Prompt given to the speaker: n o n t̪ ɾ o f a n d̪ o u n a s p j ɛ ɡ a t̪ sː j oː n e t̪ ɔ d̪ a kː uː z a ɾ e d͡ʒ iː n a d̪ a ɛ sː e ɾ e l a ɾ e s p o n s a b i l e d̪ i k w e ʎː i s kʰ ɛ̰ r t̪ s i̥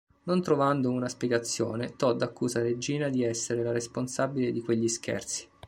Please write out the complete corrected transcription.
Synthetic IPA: n o n t̪ ɾ o v a n d̪ o u n a s p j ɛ ɡ a t̪ sː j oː n e t̪ ɔ d̪ a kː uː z a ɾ e d͡ʒ iː n a d̪ i ɛ sː e ɾ e l a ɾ e s p o n s a b i l e d̪ i k w e ʎː i s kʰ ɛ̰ r t̪ s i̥